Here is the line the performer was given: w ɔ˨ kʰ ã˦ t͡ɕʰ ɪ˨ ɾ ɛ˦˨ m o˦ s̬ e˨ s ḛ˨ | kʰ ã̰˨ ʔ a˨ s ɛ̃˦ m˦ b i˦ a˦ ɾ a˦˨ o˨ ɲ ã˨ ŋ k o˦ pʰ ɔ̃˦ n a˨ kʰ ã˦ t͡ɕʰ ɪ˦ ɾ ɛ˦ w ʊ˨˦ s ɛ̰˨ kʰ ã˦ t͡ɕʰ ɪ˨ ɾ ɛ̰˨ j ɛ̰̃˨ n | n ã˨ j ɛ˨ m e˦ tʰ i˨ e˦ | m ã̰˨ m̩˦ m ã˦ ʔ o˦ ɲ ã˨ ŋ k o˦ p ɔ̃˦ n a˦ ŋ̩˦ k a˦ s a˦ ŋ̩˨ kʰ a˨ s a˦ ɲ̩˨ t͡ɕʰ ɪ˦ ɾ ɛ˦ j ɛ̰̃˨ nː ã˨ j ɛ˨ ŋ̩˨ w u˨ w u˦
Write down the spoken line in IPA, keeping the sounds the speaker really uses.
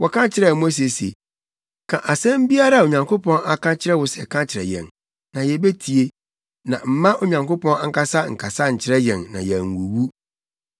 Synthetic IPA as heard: w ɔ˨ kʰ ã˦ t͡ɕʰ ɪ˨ ɾ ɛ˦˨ m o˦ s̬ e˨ s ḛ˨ | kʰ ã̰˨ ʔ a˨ s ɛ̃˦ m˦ b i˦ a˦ ɾ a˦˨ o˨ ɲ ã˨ ŋ k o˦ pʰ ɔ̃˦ n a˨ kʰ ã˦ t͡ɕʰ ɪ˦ ɾ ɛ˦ w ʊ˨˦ s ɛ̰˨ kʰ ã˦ t͡ɕʰ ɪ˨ ɾ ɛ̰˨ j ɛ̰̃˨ n | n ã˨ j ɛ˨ b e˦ tʰ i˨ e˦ | n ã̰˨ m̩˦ m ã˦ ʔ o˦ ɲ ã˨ ŋ k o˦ p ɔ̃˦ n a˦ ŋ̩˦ k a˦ s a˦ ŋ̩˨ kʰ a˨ s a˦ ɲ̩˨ t͡ɕʰ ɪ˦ ɾ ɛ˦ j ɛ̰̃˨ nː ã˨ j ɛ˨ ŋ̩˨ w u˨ w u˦